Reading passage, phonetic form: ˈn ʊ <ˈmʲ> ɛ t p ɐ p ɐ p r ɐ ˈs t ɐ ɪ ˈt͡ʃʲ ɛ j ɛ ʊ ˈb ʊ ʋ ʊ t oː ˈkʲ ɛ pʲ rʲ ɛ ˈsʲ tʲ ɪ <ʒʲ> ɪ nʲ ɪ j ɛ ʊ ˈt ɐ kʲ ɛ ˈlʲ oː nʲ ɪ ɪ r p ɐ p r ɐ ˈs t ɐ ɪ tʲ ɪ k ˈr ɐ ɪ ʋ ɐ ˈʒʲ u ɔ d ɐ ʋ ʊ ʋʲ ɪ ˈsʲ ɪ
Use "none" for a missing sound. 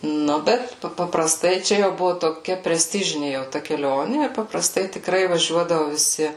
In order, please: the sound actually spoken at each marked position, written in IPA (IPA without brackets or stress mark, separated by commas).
bʲ, ʒʲ